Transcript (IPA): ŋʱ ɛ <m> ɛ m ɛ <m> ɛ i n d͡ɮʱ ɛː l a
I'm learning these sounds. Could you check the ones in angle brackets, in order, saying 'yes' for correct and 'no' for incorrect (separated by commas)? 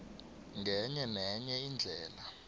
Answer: no, no